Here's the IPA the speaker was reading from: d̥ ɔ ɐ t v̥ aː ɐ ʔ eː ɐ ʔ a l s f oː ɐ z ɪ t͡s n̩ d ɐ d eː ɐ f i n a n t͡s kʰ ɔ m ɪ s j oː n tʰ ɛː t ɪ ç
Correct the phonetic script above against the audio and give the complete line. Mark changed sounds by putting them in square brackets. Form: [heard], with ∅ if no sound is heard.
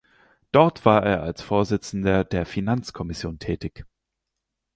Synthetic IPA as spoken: d̥ ɔ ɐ t v̥ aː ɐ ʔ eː ɐ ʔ a l s f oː ɐ z ɪ t͡s n̩ d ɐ d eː ɐ f i n a n t͡s kʰ ɔ m ɪ s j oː n tʰ ɛː t ɪ ç